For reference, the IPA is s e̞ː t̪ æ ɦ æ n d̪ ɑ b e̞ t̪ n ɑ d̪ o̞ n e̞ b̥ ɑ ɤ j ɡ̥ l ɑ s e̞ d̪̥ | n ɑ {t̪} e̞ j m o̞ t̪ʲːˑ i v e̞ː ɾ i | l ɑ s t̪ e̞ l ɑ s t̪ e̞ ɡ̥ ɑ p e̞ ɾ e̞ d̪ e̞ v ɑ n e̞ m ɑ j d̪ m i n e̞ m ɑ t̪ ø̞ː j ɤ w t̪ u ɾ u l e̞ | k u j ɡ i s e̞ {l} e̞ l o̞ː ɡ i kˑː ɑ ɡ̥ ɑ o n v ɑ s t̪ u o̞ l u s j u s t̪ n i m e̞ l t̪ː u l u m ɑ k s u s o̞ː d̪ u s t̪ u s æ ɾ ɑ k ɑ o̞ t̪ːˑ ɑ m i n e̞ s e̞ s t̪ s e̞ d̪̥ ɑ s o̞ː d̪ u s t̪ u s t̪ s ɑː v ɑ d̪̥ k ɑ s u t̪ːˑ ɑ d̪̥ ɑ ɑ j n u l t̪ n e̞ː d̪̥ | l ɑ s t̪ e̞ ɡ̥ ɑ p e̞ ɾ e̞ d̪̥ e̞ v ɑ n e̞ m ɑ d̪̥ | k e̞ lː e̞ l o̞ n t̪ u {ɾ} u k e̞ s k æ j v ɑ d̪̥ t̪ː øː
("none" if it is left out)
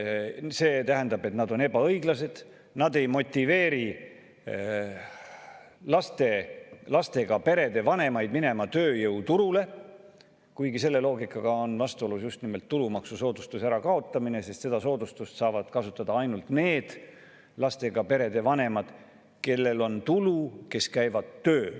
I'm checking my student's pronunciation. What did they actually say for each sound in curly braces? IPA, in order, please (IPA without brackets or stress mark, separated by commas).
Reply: d̪, lː, l